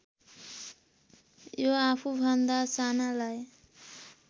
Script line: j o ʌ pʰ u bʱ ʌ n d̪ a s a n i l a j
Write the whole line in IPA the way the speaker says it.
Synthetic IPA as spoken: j o a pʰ u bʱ ʌ n d̪ a s a n a l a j